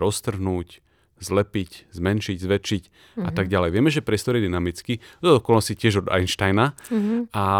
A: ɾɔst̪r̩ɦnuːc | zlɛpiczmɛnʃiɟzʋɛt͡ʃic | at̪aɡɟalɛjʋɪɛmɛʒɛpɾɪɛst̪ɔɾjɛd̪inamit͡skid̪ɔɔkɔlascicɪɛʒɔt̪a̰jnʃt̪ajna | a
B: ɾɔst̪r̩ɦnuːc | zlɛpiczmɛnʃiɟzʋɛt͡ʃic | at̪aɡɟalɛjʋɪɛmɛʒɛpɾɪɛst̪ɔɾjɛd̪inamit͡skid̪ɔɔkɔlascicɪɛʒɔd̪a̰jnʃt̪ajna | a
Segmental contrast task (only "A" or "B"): B